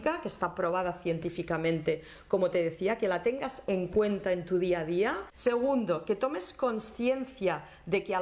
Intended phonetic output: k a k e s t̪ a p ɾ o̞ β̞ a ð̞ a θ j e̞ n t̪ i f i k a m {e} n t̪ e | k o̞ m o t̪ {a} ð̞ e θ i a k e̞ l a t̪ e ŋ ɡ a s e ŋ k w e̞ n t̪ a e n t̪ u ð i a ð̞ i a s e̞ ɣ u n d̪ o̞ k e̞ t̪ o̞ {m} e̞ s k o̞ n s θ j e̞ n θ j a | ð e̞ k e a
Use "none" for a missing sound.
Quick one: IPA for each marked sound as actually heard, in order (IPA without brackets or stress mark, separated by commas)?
ẽ, e, m